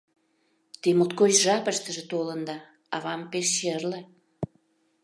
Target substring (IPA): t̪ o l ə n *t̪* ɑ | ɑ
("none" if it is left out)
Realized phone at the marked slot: d̪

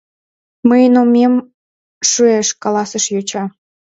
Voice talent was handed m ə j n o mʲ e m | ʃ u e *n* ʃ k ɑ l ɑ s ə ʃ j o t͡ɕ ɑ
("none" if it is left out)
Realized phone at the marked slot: none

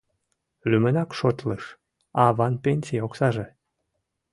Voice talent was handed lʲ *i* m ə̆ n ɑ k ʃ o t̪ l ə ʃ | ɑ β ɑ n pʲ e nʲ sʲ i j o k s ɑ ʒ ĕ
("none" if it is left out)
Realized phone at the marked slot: y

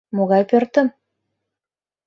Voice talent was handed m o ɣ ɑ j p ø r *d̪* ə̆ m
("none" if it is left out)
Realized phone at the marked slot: t̪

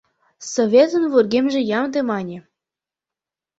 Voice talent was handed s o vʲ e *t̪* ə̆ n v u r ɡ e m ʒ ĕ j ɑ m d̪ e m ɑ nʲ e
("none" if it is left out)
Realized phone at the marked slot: t̪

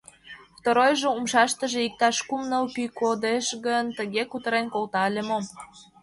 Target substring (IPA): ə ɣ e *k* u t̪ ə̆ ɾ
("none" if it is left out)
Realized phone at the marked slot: k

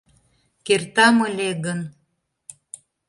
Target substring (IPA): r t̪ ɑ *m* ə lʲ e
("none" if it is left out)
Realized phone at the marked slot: m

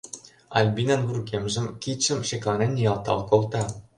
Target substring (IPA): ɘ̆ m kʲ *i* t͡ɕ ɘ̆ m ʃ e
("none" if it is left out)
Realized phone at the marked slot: i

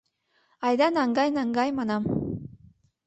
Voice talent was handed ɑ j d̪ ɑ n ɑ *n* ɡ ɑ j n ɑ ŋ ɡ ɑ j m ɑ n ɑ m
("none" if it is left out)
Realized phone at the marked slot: ŋ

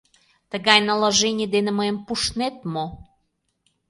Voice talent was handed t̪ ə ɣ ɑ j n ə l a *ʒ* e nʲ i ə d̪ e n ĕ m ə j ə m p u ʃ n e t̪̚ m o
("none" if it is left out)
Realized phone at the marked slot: ʒ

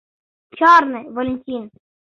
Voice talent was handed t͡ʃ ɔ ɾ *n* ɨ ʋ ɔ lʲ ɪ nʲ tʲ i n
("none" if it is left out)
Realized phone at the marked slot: n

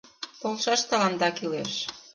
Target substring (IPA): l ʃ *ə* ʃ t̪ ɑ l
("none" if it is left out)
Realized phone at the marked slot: ɑ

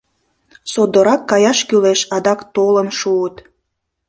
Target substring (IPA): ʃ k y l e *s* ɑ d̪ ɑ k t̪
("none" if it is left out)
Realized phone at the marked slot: ʃ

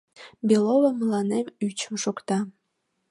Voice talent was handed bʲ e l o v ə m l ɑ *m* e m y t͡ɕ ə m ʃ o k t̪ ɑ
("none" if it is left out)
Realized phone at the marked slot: n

